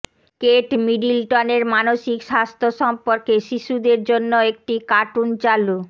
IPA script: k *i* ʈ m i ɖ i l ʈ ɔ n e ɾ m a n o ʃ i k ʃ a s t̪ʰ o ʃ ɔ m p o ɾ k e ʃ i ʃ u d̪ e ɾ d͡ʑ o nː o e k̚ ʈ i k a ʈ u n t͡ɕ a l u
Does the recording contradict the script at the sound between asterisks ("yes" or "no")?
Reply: yes